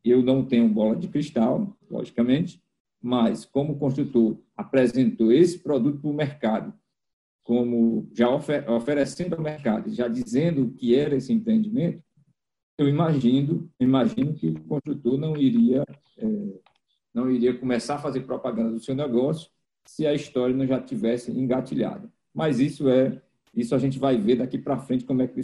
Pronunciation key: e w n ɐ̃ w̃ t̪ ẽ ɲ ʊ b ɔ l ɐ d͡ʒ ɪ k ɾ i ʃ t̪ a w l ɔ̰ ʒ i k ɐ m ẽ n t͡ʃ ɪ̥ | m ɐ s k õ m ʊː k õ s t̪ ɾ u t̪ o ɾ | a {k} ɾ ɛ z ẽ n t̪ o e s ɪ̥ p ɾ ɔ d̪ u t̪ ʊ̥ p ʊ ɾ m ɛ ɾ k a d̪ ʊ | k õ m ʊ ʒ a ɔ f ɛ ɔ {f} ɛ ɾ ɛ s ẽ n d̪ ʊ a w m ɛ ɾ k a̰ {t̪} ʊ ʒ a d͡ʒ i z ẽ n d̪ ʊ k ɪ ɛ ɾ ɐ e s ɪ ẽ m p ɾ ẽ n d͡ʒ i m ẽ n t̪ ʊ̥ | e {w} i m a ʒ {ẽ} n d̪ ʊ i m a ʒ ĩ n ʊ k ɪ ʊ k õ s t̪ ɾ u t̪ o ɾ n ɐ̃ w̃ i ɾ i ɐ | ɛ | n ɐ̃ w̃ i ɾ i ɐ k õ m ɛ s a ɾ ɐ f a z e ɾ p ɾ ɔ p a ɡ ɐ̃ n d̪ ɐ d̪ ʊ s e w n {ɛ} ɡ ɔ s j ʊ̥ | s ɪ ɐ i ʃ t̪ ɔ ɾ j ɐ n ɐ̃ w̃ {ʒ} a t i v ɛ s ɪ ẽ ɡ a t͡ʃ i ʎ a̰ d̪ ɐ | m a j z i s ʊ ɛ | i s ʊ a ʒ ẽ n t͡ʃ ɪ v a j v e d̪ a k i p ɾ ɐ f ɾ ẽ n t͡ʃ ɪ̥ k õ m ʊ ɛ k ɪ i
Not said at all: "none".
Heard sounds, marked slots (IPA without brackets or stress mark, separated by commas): p, f, d̪, w, ĩ, ɛ, ʒ